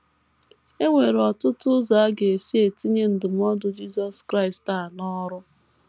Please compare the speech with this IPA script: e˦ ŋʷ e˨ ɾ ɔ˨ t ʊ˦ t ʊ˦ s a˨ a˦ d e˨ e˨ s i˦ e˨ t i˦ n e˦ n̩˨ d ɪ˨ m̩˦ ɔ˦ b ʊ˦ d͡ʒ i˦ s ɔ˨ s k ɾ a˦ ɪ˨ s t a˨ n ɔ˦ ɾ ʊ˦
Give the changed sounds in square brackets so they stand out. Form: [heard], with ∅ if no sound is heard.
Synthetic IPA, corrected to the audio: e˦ ŋʷ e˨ ɾ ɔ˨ t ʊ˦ t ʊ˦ [z] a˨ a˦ [ɡ] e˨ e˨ s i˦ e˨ t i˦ [ɲ] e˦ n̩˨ d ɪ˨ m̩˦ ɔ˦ [d] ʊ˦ d͡ʒ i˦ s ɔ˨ s k ɾ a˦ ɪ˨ s t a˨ n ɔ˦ ɾ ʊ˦